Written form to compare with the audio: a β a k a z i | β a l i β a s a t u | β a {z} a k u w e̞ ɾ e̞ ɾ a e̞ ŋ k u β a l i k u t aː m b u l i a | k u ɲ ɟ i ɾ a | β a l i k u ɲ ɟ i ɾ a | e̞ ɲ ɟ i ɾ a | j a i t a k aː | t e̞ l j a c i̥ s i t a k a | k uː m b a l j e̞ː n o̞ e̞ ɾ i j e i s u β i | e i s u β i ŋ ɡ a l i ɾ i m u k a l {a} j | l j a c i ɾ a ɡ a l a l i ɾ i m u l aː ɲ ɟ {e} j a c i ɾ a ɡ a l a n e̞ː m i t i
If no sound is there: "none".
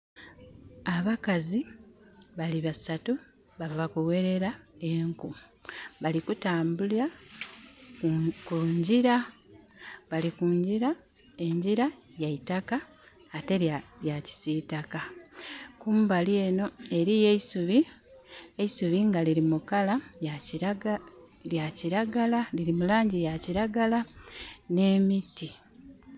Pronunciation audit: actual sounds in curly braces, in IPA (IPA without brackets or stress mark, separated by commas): v, a, i